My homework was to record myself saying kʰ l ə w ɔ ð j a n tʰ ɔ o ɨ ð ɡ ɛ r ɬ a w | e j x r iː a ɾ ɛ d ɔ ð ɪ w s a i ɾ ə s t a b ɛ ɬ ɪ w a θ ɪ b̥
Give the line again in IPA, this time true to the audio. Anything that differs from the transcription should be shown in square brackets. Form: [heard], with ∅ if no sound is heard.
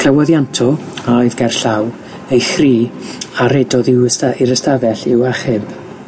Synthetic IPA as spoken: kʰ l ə w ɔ ð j a n tʰ ɔ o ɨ ð ɡ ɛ r ɬ a w | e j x r iː a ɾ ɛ d ɔ ð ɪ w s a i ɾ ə s t a [v] ɛ ɬ ɪ w a [χ] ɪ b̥